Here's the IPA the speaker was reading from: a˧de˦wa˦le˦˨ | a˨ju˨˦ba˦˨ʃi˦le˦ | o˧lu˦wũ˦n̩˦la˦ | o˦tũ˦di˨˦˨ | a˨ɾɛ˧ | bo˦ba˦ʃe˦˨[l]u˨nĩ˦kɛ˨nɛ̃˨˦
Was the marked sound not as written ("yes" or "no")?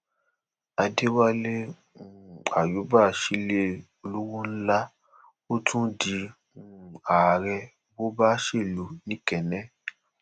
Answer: no